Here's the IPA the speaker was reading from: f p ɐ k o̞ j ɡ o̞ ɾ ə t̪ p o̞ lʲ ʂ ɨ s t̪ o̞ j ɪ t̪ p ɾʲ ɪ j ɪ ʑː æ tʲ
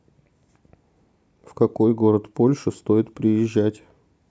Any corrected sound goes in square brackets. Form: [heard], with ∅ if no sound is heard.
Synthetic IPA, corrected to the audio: f [k] ɐ k o̞ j ɡ o̞ ɾ ə t̪ p o̞ lʲ ʂ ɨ s t̪ o̞ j ɪ t̪ p ɾʲ ɪ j ɪ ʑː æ tʲ